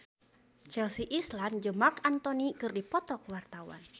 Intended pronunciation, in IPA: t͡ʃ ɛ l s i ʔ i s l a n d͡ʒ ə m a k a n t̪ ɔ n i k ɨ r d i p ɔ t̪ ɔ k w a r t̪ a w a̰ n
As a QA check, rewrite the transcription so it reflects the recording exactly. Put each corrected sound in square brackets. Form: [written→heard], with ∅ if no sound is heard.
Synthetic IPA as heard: t͡ʃ ɛ l s i ʔ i s l a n d͡ʒ ə m a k a n t̪ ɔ n i k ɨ r d i p ɔ t̪ ɔ k w a r t̪ a w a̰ n